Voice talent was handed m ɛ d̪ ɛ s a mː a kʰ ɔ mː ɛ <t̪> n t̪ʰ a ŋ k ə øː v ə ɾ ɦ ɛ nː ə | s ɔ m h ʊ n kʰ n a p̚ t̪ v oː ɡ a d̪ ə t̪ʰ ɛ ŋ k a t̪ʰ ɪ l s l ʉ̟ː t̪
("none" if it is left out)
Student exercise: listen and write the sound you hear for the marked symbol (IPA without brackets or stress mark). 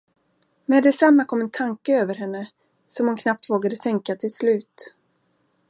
none